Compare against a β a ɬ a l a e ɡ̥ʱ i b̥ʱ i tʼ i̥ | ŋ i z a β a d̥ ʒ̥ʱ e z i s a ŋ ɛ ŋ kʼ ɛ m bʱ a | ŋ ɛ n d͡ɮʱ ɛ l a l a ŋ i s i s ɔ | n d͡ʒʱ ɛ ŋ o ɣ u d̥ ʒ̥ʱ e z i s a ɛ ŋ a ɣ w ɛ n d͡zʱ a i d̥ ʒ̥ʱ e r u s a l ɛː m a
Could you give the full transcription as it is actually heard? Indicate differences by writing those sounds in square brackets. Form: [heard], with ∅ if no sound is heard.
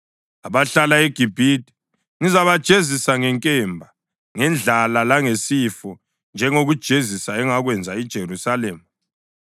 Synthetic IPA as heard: a β a ɬ a l a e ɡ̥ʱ i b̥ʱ i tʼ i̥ | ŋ i z a β a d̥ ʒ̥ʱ e z i s a ŋ ɛ ŋ kʼ ɛ m bʱ a | ŋ ɛ n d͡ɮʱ [a] l a l a ŋ [e] s i [f] ɔ | n d͡ʒʱ ɛ ŋ o ɣ u d̥ ʒ̥ʱ e z i s a ɛ ŋ a ɣ w ɛ n d͡zʱ a i d̥ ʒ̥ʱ e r u s a l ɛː m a